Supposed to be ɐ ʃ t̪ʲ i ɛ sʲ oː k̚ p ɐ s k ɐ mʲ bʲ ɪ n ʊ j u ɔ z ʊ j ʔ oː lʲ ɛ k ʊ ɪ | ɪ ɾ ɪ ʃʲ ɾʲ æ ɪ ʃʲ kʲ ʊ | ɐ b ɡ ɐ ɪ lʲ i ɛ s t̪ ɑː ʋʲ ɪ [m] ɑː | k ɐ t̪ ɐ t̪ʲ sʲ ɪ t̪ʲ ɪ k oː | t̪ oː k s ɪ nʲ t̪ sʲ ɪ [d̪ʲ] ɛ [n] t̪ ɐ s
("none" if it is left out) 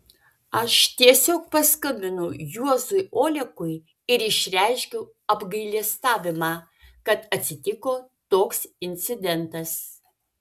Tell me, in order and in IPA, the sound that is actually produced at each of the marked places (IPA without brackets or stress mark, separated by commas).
m, d̪ʲ, n